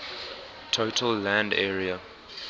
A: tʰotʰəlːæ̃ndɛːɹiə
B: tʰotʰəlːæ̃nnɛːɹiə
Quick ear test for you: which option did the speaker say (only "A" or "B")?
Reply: A